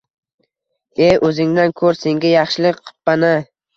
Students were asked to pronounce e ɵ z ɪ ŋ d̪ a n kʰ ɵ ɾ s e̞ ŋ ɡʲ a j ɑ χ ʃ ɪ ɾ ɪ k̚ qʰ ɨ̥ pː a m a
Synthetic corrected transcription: e ɵ z ɪ ŋ d̪ a n kʰ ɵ ɾ s e̞ ŋ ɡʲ a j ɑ χ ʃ ɪ l ɪ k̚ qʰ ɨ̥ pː a n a